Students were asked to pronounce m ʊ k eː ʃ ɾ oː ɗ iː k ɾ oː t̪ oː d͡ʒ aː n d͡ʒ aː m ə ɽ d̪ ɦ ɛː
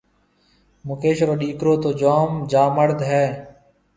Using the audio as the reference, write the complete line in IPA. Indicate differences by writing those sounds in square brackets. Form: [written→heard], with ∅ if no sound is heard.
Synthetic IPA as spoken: m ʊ k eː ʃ ɾ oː ɗ iː k ɾ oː t̪ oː d͡ʒ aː [n→m] d͡ʒ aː m ə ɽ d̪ ɦ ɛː